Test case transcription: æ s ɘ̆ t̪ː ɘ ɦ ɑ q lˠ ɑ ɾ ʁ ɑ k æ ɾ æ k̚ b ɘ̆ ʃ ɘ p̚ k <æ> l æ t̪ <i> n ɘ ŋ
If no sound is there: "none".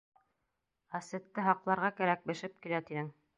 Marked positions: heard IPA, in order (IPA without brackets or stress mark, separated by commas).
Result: i, i